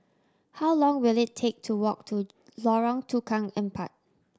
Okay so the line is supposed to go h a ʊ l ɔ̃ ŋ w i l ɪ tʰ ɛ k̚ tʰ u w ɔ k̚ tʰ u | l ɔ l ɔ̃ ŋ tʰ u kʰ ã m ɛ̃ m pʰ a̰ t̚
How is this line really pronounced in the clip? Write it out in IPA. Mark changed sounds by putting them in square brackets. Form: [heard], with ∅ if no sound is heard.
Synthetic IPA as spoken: h a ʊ l ɔ̃ ŋ w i l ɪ tʰ [e] k̚ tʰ u w ɔ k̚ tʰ u | l ɔ [ɹ] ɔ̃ ŋ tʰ u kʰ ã [ŋ] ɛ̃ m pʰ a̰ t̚